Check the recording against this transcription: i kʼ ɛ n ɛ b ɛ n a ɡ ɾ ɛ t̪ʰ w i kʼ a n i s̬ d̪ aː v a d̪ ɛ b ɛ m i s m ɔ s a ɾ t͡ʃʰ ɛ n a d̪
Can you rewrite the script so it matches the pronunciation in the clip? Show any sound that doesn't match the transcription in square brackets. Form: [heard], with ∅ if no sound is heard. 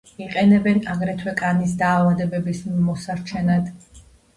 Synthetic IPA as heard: i [qʼ] ɛ n ɛ b ɛ n a ɡ ɾ ɛ t̪ʰ w [ɛ] kʼ a n i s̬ d̪ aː v a d̪ ɛ b ɛ [b] i s m ɔ s a ɾ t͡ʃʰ ɛ n a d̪

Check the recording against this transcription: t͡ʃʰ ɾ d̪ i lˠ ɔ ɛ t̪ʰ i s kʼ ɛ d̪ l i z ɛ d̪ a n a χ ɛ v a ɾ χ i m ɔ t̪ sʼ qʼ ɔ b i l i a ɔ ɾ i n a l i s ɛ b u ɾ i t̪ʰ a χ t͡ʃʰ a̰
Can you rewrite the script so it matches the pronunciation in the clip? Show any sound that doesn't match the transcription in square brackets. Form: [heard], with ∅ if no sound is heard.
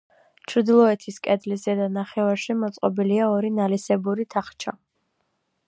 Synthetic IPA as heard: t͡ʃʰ ɾ d̪ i lˠ ɔ ɛ t̪ʰ i s kʼ ɛ d̪ l i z ɛ d̪ a n a χ ɛ v a ɾ [ʃ] i m ɔ t̪ sʼ qʼ ɔ b i l i a ɔ ɾ i n a l i s ɛ b u ɾ i t̪ʰ a χ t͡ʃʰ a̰

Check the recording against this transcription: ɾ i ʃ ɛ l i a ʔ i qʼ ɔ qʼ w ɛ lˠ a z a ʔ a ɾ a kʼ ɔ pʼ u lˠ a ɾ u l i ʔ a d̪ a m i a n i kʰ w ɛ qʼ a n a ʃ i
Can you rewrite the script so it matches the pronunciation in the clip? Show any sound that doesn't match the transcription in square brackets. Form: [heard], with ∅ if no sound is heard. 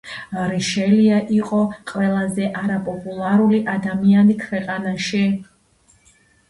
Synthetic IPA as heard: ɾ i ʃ ɛ l i a ʔ i qʼ ɔ qʼ w ɛ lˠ a z [ɛ] ʔ a ɾ a [pʼ] ɔ pʼ u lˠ a ɾ u l i ʔ a d̪ a m i a n i kʰ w ɛ qʼ a n a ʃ i

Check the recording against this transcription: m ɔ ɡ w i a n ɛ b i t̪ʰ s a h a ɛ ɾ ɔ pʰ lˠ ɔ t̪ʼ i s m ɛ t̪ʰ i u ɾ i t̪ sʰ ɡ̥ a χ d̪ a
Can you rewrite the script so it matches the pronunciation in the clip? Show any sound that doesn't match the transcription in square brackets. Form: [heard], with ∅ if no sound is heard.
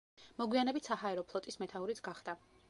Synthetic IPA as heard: m ɔ ɡ w i a n ɛ b i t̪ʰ s a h a ɛ ɾ ɔ pʰ lˠ ɔ t̪ʼ i s m ɛ t̪ʰ [a] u ɾ i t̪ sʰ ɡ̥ a χ d̪ a

